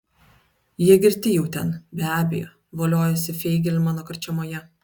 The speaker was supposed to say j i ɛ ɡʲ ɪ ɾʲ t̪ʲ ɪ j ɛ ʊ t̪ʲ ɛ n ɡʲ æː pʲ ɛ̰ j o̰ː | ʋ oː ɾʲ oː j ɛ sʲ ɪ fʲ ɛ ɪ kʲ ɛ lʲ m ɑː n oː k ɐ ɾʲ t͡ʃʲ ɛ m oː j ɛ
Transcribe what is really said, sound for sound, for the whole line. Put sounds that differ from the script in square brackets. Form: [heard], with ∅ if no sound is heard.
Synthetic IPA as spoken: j i ɛ ɡʲ ɪ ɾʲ t̪ʲ ɪ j ɛ ʊ t̪ʲ ɛ n [bʲ] æː [bʲ] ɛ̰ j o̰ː | ʋ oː [lʲ] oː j ɛ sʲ ɪ fʲ ɛ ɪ [ɡʲ] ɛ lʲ m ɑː n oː k ɐ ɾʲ t͡ʃʲ ɛ m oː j ɛ